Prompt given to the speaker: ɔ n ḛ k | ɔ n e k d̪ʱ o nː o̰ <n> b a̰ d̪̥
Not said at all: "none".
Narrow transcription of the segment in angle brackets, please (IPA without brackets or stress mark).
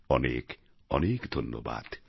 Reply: none